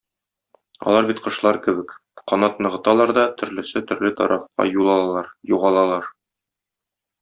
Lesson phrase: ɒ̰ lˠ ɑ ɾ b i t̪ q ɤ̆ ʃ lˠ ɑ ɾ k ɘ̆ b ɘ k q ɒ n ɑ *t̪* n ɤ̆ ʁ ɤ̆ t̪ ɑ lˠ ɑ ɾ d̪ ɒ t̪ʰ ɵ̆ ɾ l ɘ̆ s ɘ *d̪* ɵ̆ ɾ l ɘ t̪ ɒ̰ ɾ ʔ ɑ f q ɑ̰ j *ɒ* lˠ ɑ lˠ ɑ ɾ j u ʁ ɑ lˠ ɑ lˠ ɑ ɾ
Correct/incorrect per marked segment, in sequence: correct, incorrect, incorrect

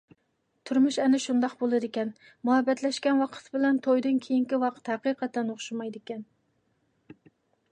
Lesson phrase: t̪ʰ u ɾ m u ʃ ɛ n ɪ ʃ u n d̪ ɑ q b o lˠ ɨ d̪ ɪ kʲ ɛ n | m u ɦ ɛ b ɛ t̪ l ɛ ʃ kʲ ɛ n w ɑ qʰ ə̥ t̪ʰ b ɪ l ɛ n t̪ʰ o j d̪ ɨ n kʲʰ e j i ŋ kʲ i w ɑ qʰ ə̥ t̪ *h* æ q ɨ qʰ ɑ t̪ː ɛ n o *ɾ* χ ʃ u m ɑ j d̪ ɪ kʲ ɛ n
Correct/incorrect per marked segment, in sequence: correct, incorrect

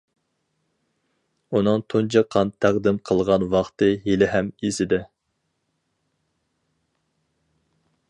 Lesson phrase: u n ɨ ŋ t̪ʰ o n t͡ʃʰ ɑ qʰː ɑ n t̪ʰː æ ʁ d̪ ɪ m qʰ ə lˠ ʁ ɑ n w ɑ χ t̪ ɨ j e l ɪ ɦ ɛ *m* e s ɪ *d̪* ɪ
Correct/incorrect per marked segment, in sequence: correct, correct

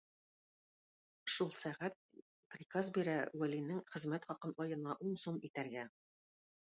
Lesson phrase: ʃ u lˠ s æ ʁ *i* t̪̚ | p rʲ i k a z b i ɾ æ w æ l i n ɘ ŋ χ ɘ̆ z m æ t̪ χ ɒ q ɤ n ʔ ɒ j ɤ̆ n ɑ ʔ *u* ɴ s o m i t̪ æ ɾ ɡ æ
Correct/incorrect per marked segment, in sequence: incorrect, correct

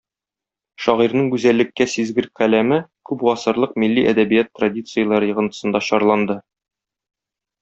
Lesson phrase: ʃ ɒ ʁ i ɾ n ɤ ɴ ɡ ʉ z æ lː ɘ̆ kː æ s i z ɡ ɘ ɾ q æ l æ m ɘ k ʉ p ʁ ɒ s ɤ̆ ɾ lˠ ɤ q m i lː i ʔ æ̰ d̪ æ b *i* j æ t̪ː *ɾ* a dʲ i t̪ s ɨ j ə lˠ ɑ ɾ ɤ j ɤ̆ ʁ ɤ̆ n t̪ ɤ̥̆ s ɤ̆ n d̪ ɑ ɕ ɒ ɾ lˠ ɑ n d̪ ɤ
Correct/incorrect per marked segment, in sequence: correct, incorrect

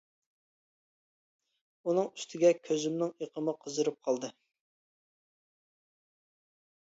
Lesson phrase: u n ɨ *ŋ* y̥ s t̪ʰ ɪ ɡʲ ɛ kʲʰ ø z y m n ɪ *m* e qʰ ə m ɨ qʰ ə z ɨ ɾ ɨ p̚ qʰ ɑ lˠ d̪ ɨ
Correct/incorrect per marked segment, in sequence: correct, incorrect

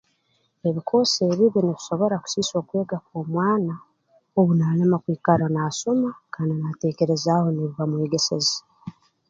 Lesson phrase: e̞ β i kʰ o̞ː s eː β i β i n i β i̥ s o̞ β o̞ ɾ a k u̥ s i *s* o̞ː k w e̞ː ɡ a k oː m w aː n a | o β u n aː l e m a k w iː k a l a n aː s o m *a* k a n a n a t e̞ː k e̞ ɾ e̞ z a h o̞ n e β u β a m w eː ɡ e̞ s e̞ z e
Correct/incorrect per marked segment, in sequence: correct, correct

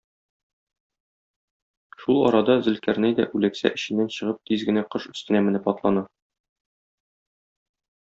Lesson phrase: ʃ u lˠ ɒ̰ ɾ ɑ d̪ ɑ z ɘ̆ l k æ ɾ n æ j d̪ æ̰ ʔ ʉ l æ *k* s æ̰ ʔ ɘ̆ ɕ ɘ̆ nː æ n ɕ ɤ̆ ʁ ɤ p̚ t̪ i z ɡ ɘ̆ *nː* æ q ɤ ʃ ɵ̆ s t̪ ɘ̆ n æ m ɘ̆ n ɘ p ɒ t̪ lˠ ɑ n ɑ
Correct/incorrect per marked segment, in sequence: correct, incorrect

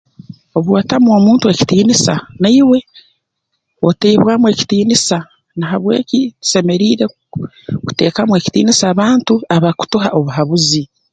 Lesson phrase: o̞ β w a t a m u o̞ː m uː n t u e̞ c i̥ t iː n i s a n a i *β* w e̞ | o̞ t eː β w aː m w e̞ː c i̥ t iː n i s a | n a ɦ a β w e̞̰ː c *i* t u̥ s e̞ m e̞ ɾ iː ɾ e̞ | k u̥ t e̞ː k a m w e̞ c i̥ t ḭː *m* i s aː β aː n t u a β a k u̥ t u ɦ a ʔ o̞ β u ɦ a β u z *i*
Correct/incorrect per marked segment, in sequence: incorrect, correct, incorrect, correct

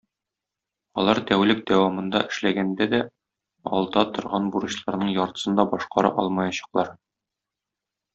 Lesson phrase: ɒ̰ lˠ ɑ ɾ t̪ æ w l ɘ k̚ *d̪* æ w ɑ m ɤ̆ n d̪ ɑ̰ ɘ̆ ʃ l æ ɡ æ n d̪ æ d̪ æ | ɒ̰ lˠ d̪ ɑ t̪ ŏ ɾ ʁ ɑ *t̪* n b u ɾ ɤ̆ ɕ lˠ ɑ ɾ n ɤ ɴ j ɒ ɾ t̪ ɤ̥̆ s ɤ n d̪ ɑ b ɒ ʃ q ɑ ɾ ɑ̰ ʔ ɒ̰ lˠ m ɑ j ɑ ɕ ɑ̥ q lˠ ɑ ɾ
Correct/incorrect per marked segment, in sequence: correct, incorrect

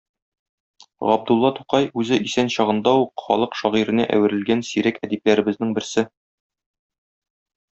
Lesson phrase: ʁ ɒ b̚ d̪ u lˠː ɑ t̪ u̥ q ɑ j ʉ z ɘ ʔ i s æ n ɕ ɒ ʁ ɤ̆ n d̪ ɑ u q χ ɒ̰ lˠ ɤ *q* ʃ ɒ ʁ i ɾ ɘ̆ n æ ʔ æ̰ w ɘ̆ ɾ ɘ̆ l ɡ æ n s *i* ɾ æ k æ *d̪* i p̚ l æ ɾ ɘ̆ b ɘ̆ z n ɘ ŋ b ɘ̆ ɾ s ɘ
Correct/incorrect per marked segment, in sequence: correct, correct, correct

